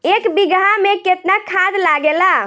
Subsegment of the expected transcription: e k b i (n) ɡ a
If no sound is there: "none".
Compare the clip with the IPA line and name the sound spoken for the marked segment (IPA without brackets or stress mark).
none